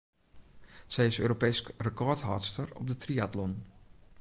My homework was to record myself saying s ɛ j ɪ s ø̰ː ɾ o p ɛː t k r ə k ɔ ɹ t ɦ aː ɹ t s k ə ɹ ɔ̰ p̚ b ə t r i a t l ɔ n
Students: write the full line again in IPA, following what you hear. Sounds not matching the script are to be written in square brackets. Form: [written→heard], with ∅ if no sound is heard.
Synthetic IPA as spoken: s ɛ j ɪ s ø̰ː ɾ o p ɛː [t→s] k r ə k ɔ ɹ t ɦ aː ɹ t s [k→t] ə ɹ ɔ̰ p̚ [b→d] ə t r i a t l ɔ n